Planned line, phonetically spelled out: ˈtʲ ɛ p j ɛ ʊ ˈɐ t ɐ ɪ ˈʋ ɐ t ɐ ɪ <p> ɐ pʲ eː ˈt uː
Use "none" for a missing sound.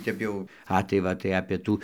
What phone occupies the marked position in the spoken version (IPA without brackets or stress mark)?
none